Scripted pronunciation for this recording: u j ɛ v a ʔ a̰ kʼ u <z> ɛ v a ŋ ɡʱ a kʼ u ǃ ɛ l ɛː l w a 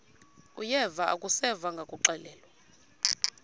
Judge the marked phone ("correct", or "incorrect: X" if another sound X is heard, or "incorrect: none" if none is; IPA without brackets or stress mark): incorrect: s